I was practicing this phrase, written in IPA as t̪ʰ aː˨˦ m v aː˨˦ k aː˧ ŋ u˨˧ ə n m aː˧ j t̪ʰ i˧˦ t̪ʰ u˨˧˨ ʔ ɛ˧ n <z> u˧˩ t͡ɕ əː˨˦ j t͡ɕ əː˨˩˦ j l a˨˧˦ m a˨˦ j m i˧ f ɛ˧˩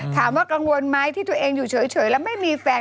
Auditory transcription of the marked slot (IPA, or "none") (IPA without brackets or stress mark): z